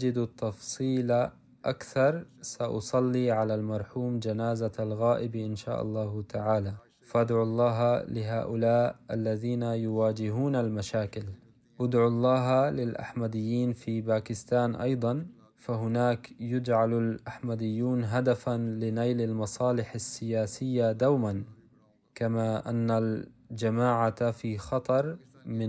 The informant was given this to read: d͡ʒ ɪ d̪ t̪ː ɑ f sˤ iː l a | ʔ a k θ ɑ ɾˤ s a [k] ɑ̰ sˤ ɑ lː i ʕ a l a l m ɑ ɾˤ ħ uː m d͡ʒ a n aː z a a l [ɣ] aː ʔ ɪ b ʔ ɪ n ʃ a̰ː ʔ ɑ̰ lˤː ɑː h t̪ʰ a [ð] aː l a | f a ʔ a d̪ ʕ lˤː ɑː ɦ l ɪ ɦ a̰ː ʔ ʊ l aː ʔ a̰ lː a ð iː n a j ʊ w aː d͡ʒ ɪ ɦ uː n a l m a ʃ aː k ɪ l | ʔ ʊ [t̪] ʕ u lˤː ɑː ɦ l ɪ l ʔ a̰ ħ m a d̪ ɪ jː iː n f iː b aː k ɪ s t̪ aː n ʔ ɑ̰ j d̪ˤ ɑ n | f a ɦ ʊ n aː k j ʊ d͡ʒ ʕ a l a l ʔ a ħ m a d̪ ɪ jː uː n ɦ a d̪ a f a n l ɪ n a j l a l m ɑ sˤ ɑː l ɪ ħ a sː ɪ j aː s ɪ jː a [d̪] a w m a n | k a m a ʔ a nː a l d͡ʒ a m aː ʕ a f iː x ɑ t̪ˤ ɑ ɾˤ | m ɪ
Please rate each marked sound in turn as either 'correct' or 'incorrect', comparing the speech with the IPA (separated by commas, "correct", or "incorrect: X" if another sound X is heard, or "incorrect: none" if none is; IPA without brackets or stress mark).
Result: incorrect: ʔ, correct, incorrect: ʕ, incorrect: d̪, correct